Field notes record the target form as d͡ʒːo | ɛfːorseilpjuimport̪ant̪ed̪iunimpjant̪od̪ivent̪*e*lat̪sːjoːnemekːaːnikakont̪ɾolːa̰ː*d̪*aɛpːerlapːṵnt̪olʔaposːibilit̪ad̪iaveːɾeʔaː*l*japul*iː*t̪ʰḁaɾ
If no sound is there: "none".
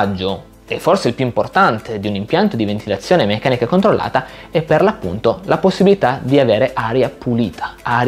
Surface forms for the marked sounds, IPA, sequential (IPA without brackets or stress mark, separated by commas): i, t̪, ɾ, iː